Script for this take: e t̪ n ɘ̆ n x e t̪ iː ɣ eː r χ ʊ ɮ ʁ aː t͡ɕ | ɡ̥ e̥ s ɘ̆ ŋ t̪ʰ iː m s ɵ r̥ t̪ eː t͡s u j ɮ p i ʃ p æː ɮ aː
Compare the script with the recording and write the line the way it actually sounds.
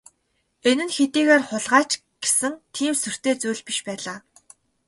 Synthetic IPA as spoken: e n ɘ̆ n x e t̪ iː ɣ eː r χ ʊ ɮ ʁ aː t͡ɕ | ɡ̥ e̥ s ɘ̆ ŋ t̪ʰ iː m s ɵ r̥ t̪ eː t͡s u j ɮ p i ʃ p æː ɮ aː